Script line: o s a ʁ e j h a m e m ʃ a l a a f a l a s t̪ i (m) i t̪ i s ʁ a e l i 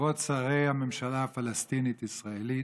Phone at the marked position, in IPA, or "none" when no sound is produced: n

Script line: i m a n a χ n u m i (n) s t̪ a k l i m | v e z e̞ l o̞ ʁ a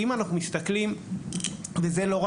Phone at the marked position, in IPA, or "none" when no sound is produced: none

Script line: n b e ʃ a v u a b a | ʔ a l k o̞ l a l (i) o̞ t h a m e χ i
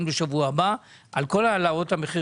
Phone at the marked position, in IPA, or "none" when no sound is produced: a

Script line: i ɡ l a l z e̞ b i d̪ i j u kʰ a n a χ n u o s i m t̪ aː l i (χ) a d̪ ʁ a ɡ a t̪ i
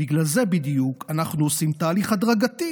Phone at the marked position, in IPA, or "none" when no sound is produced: χ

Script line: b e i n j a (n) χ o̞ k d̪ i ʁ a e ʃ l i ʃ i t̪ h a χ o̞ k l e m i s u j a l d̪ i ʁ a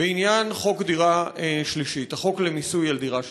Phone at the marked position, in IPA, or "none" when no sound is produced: n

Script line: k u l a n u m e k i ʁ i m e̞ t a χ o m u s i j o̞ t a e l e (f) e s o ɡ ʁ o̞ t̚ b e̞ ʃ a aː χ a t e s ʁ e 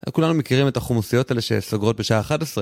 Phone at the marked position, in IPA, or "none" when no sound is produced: ʃ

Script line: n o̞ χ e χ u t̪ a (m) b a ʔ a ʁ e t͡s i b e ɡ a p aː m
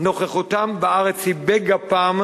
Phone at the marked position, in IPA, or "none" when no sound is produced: m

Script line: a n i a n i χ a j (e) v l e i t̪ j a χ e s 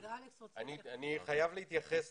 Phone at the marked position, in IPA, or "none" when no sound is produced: a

